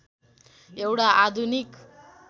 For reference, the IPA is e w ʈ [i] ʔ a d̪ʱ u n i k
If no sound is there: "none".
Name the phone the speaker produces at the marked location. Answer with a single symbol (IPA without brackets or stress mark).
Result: a